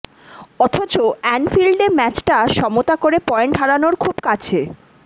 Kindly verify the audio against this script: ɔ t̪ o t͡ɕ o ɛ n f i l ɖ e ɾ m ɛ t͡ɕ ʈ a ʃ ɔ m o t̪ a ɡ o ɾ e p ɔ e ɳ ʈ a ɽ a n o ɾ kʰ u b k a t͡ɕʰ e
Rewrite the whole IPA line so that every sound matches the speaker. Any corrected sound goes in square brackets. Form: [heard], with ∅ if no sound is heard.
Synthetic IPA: ɔ [t̪ʰ] o t͡ɕ o ɛ n f i l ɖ e ɾ m ɛ t͡ɕ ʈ a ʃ ɔ m o t̪ a [k] o ɾ e p ɔ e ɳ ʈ a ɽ a n o ɾ kʰ u b k a t͡ɕʰ e

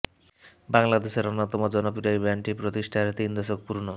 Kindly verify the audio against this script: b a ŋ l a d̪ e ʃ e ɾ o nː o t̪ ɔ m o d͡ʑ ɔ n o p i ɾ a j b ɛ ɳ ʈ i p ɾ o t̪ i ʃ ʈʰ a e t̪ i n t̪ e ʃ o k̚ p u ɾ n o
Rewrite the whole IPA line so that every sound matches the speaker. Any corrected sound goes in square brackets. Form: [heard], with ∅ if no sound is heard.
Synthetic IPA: b a ŋ l a d̪ e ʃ e ɾ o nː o t̪ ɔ m o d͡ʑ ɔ n o p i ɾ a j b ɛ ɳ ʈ i p ɾ o t̪ i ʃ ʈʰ a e t̪ i n [d̪] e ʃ o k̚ p u ɾ n o

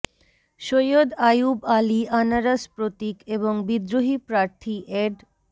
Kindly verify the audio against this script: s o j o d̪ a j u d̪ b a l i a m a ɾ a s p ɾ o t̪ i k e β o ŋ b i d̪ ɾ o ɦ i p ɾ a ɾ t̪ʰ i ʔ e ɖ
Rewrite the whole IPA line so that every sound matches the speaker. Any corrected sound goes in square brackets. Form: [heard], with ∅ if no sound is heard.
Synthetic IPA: [ʃ] o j o d̪ a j u [∅] b a l i a [n] a ɾ a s p ɾ o t̪ i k e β o ŋ b i d̪ ɾ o ɦ i p ɾ a ɾ t̪ʰ i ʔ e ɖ

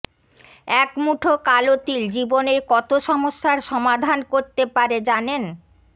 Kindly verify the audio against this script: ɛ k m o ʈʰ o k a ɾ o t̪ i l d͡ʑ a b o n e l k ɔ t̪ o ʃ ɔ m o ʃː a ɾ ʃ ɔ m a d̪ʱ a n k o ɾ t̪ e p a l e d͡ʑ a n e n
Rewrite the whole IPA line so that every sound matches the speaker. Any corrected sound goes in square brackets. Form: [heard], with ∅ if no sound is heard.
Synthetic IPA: ɛ k m [u] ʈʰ o k a [l] o t̪ i l d͡ʑ [i] b o n e [ɾ] k ɔ t̪ o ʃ ɔ m o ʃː a ɾ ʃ ɔ m a d̪ʱ a n k o ɾ t̪ e p a [ɾ] e d͡ʑ a n e n

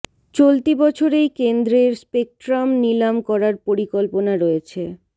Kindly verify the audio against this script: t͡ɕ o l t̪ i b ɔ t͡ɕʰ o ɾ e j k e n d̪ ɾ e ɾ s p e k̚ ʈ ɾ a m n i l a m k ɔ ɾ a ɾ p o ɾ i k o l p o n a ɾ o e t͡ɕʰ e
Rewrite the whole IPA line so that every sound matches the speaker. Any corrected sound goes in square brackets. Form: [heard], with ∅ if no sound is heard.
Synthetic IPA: t͡ɕ o l t̪ i b ɔ t͡ɕʰ o ɾ e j k e n d̪ ɾ e ɾ s p e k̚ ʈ ɾ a m n i l a m k ɔ ɾ a ɾ p o ɾ i k o l p o n a ɾ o e t͡ɕʰ e

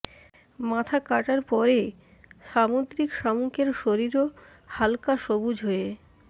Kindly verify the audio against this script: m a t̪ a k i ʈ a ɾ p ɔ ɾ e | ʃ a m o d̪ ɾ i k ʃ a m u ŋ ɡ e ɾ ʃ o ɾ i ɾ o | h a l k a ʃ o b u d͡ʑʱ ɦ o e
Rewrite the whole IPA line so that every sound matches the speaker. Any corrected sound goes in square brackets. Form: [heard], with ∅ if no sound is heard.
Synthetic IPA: m a [t̪ʰ] a k [a] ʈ a ɾ p ɔ ɾ e | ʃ a m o d̪ ɾ i k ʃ a m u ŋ [k] e ɾ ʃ o ɾ i ɾ o | h a l k a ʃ o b u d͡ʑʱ ɦ o e

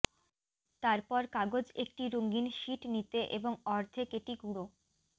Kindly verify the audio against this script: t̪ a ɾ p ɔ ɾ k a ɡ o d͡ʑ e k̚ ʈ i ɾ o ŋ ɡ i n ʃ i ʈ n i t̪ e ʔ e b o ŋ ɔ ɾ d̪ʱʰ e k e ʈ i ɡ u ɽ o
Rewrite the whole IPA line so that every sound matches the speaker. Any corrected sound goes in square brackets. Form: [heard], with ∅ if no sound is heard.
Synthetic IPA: t̪ a ɾ p ɔ ɾ k a ɡ o d͡ʑ e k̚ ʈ i ɾ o ŋ ɡ i n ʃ i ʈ n i t̪ e ʔ e b o ŋ ɔ ɾ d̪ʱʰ e k e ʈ i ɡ u ɽ o

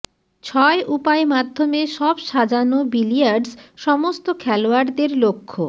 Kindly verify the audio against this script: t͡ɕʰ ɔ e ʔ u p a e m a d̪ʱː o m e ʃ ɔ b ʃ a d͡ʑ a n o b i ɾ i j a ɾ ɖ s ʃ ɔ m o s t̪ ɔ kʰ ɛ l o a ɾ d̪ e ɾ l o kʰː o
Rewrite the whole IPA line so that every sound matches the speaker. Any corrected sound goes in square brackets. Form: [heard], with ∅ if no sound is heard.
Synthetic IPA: t͡ɕʰ ɔ e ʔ u p a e m a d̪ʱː o m e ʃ ɔ b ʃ a d͡ʑ a n o b i [l] i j a ɾ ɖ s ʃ ɔ m o s t̪ [o] kʰ ɛ l o a ɾ d̪ e ɾ l o kʰː o

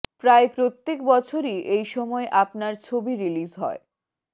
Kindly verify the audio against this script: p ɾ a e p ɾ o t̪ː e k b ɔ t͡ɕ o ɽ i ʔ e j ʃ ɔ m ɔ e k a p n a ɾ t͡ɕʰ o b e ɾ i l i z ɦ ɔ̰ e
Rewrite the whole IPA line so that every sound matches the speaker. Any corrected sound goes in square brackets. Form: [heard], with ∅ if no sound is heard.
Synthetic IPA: p ɾ a e p ɾ o t̪ː e k b ɔ [t͡ɕʰ] o [ɾ] i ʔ e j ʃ ɔ m ɔ e [ʔ] a p n a ɾ t͡ɕʰ o b [i] ɾ i l i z ɦ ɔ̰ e

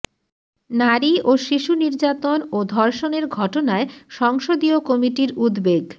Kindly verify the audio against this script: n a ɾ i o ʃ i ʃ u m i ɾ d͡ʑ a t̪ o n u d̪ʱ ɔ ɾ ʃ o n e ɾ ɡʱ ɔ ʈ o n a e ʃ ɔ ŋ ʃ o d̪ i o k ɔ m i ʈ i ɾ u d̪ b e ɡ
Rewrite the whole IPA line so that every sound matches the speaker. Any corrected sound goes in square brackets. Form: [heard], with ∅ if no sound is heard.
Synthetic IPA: n a ɾ i o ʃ i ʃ u [n] i ɾ d͡ʑ a t̪ o n [o] d̪ʱ ɔ ɾ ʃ o n e ɾ ɡʱ ɔ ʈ o n a e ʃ ɔ ŋ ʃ o d̪ i o k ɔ m i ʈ i ɾ u d̪ b e ɡ

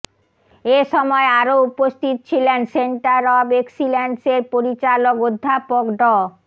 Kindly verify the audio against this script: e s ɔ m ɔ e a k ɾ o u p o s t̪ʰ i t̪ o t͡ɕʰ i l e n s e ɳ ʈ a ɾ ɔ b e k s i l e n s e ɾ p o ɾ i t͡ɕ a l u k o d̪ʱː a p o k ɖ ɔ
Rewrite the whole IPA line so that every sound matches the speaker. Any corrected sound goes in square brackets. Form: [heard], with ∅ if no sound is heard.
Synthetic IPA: e [ʃ] ɔ m ɔ e a [∅] ɾ o u p o s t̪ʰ i t̪ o t͡ɕʰ i l e n s e ɳ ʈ a ɾ ɔ b e k s i l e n s e ɾ p o ɾ i t͡ɕ a l [o] k o d̪ʱː a p o k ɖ ɔ

